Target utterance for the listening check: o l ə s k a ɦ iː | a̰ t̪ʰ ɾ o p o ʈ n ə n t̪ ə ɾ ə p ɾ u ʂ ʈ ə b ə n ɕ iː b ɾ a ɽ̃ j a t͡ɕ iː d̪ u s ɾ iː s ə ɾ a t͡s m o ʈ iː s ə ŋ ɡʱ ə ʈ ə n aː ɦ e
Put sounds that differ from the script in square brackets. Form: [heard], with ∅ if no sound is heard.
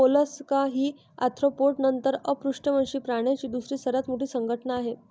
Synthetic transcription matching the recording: o l ə s k a ɦ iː | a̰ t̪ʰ ɾ o p o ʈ n ə n t̪ ə ɾ ə p ɾ u ʂ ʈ ə [m] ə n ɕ iː [p] ɾ a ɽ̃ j a t͡ɕ iː d̪ u s ɾ iː s ə ɾ a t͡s m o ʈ iː s ə ŋ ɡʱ ə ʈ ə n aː ɦ e